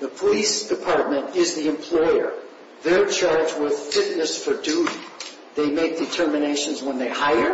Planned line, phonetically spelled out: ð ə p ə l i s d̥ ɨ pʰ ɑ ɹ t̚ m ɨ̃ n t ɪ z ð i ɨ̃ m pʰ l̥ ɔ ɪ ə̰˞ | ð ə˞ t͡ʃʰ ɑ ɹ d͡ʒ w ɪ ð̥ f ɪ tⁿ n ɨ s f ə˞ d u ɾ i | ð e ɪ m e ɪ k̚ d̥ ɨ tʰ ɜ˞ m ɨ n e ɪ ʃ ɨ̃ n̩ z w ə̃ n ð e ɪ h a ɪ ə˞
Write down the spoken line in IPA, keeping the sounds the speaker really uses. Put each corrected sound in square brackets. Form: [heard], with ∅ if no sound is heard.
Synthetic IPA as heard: ð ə [pʰ] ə l i s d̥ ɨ pʰ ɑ ɹ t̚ m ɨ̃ n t ɪ z ð i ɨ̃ m pʰ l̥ ɔ ɪ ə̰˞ | ð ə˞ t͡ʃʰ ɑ ɹ d͡ʒ w ɪ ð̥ f ɪ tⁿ n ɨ s f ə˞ d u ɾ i | ð e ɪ m e ɪ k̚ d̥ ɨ tʰ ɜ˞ m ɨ n e ɪ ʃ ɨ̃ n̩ z w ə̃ n ð e ɪ h a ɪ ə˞